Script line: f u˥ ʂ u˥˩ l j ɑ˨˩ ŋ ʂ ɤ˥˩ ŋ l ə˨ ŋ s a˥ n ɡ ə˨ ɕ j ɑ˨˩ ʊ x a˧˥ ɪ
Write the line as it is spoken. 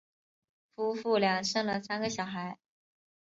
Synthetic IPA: f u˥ f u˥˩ l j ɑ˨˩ ŋ ʂ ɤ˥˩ ŋ l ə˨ s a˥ n ɡ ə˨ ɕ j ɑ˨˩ ʊ x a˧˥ ɪ